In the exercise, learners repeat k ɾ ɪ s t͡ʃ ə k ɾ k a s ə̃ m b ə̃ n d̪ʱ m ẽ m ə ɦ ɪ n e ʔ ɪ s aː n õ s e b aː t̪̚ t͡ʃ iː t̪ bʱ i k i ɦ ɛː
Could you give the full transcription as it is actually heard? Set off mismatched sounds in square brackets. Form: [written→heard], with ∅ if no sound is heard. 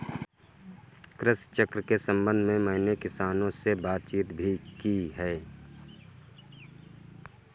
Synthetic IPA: k ɾ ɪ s t͡ʃ ə k ɾ k [a→e] s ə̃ m b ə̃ n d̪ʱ m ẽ m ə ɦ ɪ n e [ʔ→k] ɪ s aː n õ s e b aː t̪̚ t͡ʃ iː t̪ bʱ i k i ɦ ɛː